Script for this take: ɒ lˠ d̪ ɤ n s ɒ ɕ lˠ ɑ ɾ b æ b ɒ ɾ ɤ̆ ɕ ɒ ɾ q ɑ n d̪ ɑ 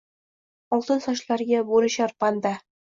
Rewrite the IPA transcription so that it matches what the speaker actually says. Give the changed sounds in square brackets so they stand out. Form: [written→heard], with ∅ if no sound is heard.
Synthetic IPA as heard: ɒ lˠ [d̪→t̪] ɤ n s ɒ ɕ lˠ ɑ ɾ [b→ɡ] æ b [ɒ→u] ɾ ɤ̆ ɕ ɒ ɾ [q→p] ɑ n d̪ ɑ